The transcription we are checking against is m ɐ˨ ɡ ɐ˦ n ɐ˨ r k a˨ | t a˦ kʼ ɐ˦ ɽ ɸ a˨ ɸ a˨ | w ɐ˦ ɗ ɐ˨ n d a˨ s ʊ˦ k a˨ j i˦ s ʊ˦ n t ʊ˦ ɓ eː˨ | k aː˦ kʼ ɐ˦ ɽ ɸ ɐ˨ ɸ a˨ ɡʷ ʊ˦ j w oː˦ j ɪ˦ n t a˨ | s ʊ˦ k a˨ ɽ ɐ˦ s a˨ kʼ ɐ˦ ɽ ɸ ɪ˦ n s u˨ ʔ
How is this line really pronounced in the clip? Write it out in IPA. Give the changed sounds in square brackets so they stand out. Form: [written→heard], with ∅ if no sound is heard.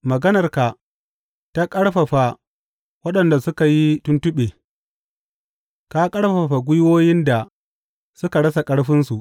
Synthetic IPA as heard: m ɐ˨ ɡ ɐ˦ n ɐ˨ r k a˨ | t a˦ kʼ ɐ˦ ɽ ɸ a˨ ɸ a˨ | w ɐ˦ ɗ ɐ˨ n d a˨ s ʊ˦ k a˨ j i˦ [s→t] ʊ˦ n t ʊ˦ ɓ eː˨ | k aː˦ kʼ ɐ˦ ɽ ɸ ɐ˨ ɸ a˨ ɡʷ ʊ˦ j w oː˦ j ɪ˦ n [t→d] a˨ | s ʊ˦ k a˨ ɽ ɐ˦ s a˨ kʼ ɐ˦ ɽ ɸ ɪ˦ n s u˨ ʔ